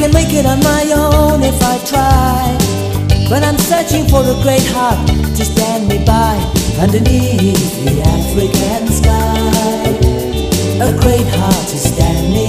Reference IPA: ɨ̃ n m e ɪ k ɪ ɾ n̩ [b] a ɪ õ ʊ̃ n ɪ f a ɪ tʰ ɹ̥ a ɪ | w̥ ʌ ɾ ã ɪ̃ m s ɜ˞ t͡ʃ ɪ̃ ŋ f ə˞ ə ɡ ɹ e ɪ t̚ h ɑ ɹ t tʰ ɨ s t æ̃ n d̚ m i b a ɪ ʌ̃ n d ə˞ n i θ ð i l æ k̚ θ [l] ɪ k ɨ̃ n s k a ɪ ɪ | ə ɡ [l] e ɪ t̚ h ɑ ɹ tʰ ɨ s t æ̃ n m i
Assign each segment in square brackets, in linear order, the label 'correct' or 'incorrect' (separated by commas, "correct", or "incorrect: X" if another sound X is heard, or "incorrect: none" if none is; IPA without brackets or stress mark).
incorrect: m, incorrect: ɹ, incorrect: ɹ